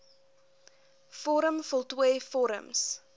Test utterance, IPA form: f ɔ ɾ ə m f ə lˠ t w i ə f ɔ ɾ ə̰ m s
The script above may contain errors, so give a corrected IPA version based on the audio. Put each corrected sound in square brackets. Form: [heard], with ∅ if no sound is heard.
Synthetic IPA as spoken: f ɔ ɾ ə m f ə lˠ t w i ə f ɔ ɾ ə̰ m s